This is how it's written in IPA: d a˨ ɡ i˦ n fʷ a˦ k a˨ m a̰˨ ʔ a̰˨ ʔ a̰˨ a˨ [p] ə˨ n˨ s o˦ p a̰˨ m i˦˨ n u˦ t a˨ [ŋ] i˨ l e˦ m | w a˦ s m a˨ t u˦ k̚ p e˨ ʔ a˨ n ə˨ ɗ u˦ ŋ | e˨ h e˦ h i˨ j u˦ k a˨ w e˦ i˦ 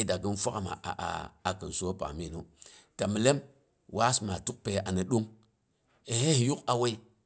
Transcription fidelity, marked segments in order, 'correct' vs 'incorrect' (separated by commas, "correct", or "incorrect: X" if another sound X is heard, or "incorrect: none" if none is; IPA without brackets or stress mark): incorrect: k, incorrect: m